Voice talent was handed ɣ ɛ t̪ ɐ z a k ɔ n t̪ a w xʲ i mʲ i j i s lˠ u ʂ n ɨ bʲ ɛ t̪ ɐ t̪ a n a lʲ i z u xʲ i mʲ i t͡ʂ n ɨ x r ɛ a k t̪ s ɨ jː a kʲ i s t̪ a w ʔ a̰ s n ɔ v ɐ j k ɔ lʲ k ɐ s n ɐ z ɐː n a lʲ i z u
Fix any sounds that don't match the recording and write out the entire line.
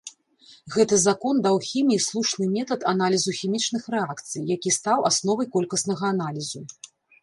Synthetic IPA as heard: ɣ ɛ t̪ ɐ z a k ɔ n d̪ a w xʲ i mʲ i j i s lˠ u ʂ n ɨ mʲ ɛ t̪ ɐ t̪ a n a lʲ i z u xʲ i mʲ i t͡ʂ n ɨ x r ɛ a k t̪ s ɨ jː a kʲ i s t̪ a w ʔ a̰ s n ɔ v ɐ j k ɔ lʲ k ɐ s n ɐ ɣ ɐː n a lʲ i z u